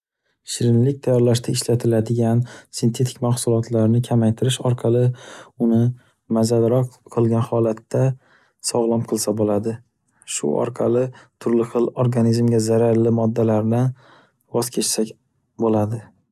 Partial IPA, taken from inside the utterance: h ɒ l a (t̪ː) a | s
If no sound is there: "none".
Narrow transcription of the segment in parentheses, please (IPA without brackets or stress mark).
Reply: t̪ː